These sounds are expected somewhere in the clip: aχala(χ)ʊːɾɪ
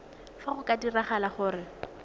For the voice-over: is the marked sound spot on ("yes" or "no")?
yes